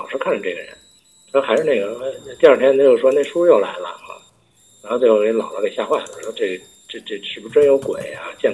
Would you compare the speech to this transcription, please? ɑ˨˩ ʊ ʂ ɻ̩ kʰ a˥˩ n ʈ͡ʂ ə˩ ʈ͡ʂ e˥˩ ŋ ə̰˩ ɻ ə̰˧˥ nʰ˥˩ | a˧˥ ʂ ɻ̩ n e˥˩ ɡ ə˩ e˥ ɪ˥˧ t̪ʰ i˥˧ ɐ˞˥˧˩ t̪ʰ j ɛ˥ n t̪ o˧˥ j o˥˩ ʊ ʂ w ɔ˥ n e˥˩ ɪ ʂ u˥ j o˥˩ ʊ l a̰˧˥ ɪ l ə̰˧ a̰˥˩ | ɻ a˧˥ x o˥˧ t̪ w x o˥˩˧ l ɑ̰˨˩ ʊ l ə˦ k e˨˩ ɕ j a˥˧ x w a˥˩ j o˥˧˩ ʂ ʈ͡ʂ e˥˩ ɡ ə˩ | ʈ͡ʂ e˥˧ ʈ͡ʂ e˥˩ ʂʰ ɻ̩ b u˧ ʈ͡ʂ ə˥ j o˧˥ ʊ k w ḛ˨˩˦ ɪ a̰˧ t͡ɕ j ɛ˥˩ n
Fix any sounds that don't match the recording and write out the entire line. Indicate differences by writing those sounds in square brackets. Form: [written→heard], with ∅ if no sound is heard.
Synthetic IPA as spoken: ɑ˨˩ ʊ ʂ ɻ̩ kʰ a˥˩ n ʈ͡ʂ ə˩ ʈ͡ʂ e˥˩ [ŋ→ɡ] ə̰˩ ɻ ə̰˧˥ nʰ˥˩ | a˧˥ ʂ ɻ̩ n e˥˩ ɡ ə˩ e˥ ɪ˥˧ [t̪ʰ→t̪] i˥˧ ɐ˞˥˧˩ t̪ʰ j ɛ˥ n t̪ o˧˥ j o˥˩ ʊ ʂ w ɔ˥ n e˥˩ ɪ ʂ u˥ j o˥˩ ʊ l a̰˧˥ ɪ l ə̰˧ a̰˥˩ | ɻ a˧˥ x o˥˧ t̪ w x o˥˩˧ l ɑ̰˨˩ ʊ l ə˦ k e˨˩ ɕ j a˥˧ x w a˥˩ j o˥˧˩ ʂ ʈ͡ʂ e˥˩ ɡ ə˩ | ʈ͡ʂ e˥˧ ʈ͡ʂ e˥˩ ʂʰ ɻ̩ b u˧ ʈ͡ʂ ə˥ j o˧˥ ʊ k w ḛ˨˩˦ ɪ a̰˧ t͡ɕ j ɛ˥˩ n